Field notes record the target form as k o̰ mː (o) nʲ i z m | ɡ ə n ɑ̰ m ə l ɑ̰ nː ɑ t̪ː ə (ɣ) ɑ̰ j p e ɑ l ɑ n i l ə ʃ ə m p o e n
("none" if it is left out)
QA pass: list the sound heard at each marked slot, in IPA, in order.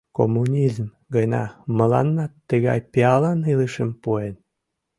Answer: u, ɣ

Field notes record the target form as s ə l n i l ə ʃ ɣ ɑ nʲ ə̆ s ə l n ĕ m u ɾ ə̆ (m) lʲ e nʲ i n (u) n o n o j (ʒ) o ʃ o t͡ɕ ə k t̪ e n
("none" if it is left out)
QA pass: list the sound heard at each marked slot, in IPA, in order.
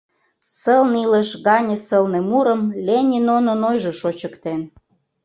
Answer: m, o, ʒ

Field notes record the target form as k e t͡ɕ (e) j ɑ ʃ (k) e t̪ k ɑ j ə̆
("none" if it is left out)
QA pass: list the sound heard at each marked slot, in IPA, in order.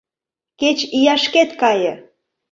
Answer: i, k

